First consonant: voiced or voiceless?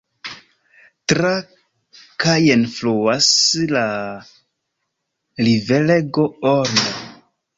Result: voiceless